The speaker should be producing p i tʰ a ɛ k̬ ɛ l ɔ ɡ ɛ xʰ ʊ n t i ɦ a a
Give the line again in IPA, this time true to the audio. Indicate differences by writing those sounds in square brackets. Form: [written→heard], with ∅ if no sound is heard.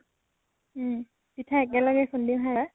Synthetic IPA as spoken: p i tʰ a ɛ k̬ ɛ l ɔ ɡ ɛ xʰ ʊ n [t→d] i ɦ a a